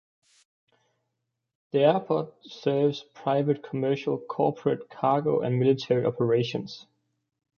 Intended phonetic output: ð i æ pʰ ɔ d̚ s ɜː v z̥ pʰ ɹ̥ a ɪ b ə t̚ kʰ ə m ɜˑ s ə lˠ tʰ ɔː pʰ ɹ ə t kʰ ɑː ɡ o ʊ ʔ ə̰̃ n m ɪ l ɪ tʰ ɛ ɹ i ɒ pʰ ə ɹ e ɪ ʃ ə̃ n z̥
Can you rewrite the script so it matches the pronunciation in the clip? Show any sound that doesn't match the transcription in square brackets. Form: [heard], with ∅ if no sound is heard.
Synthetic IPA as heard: ð i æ pʰ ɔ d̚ s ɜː v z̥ pʰ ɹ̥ a ɪ [v] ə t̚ kʰ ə m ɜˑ [ʃ] ə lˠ [kʰ] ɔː pʰ ɹ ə t kʰ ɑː ɡ o ʊ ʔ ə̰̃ n m ɪ l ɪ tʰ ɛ ɹ i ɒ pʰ ə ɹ e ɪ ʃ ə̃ n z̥